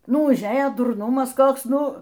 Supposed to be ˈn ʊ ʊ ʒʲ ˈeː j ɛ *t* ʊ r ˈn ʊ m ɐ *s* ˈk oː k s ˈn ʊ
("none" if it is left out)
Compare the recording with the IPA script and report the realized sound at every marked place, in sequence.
d, s

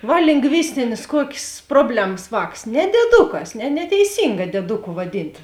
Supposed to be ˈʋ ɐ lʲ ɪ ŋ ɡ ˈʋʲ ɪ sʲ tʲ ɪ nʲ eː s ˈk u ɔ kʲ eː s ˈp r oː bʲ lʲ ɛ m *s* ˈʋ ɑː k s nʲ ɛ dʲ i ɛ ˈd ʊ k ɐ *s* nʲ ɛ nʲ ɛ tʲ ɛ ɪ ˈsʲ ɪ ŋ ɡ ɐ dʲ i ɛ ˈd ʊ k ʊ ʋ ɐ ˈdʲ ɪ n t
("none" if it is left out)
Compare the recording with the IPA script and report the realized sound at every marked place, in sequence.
s, s

